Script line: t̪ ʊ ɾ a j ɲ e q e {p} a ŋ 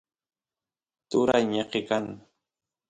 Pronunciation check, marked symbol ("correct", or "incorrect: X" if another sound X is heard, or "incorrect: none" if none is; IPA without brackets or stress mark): incorrect: k